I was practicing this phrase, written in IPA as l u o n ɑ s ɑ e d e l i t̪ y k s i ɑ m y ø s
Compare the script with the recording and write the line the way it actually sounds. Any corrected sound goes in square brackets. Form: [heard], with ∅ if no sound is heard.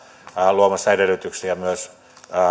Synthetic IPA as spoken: l u o [m] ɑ s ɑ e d e l [y] t̪ y k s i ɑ m y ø s